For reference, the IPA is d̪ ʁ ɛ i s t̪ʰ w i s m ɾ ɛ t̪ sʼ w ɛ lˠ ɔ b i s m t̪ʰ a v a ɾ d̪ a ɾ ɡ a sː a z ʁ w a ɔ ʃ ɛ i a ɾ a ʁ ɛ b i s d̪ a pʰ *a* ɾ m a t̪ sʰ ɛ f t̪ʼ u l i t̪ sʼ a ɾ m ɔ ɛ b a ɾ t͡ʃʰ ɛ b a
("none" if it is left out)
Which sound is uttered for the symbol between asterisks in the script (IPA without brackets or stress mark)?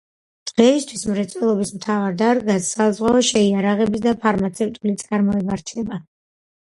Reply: a